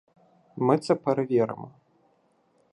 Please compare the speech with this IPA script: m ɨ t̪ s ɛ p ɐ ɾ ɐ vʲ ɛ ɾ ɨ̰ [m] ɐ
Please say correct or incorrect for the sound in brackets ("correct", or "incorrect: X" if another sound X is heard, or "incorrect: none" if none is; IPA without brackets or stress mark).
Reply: correct